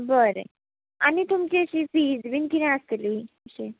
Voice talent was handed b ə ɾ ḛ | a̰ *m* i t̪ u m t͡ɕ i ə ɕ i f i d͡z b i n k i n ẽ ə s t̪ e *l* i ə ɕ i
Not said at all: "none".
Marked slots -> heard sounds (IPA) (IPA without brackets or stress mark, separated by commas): n, l